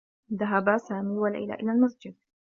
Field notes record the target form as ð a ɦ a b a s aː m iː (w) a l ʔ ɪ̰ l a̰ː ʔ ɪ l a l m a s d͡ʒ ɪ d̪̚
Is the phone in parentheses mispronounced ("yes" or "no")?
no